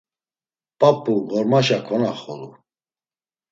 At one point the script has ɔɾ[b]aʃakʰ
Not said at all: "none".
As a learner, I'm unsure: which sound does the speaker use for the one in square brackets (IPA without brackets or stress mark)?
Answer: m